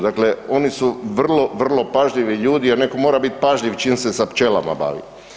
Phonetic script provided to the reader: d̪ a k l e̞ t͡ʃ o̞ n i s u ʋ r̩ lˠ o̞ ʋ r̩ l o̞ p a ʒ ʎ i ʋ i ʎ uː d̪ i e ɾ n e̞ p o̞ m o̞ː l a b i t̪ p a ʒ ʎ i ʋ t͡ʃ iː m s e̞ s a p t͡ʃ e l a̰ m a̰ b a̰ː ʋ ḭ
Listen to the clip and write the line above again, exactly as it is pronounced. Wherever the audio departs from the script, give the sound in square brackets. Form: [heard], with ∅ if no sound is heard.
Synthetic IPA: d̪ a k l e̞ [∅] o̞ n i s u ʋ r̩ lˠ o̞ ʋ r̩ l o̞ p a ʒ ʎ i ʋ i ʎ uː d̪ i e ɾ n e̞ [k] o̞ m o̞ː [ɾ] a b i t̪ p a ʒ ʎ i ʋ t͡ʃ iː m s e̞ s a p t͡ʃ e l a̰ m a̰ b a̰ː ʋ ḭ